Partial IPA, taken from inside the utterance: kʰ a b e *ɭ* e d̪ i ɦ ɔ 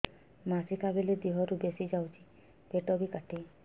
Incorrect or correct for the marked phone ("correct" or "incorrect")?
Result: incorrect